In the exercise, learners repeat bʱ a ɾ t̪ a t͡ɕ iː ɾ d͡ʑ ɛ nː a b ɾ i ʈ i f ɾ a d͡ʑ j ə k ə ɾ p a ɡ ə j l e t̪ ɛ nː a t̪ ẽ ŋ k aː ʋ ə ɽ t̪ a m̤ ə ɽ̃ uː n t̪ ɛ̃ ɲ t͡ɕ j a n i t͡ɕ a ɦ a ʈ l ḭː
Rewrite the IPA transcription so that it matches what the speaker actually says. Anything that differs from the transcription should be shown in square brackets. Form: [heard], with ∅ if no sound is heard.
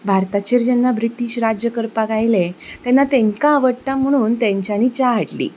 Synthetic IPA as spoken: bʱ a ɾ t̪ a t͡ɕ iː ɾ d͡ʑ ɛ nː a b ɾ i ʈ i [ɕ] ɾ a d͡ʑ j ə k ə ɾ p a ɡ [a] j l e t̪ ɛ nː a t̪ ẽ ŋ k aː ʋ ə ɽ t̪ a m̤ ə ɽ̃ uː n t̪ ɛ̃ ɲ t͡ɕ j a n i t͡ɕ a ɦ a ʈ l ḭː